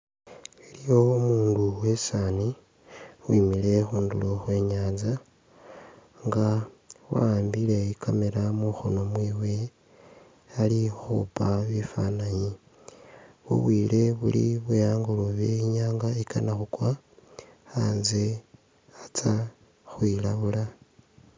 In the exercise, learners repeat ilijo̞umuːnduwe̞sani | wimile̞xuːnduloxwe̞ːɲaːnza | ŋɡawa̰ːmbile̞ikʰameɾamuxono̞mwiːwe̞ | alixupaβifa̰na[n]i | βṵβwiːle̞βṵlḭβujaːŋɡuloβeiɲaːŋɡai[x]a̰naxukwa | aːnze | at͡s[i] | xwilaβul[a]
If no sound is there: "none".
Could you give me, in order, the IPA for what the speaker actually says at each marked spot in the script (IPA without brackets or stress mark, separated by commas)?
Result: ɲ, k, a, a